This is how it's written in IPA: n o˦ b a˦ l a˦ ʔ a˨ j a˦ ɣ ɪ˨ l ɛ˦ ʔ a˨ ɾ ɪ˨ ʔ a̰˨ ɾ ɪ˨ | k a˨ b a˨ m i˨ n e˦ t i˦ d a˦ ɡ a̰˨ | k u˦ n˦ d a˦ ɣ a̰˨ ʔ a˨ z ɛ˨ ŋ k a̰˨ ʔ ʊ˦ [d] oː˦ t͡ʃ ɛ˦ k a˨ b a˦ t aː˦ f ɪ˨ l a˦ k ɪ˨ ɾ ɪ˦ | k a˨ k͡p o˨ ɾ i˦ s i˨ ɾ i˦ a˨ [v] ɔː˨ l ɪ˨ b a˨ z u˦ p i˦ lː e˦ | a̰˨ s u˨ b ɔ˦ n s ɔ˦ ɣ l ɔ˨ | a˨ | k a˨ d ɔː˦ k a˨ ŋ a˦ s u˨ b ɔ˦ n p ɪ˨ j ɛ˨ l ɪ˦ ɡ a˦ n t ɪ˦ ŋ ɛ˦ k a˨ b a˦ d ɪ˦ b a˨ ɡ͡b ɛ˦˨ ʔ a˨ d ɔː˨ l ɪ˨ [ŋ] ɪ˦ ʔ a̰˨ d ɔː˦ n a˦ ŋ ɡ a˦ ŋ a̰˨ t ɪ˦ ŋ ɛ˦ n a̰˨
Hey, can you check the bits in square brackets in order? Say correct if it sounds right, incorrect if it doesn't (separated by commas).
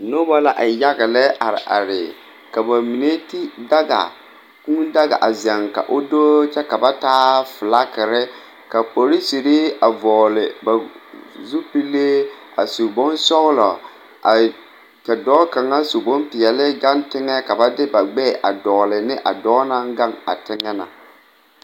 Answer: correct, correct, incorrect